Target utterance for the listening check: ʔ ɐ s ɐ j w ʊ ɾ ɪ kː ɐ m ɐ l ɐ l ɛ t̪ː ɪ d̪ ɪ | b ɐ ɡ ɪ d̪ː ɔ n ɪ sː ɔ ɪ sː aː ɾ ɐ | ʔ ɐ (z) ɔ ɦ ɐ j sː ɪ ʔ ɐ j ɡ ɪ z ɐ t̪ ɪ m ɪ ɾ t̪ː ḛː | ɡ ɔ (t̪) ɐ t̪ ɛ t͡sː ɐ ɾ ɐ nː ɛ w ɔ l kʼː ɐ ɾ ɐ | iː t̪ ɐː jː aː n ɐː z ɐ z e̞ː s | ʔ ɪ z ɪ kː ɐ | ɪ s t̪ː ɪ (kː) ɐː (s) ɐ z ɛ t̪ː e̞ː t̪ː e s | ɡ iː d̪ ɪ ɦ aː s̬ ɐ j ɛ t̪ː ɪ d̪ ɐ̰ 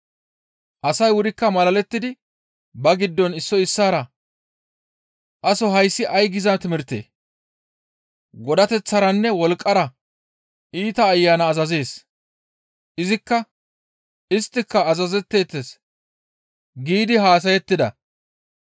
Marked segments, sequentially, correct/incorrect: incorrect: s, incorrect: d̪, correct, incorrect: z

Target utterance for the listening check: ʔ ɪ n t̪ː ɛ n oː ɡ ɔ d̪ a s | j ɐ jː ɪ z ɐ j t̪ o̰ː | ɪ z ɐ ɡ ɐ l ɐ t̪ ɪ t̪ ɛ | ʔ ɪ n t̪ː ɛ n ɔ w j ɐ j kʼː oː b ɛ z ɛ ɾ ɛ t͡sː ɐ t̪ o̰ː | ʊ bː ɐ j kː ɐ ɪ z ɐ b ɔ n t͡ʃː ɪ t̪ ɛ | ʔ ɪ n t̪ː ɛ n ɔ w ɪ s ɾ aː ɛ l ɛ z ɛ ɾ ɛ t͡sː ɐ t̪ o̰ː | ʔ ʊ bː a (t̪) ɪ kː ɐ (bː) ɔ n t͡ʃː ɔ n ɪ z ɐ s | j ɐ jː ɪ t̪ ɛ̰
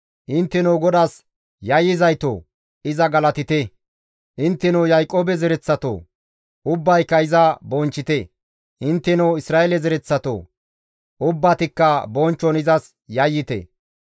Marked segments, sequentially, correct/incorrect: correct, incorrect: b

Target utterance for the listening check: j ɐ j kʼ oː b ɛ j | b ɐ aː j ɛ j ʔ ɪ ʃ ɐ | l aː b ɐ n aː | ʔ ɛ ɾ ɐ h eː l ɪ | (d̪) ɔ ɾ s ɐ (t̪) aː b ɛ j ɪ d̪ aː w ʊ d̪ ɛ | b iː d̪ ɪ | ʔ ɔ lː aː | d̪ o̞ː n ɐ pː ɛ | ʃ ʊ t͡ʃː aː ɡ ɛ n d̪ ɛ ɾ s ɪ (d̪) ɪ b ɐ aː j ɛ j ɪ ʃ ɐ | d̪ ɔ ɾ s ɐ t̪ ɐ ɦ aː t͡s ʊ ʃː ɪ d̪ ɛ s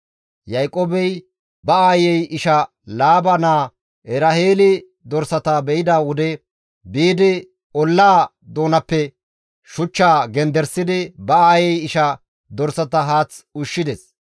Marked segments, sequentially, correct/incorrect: correct, correct, correct

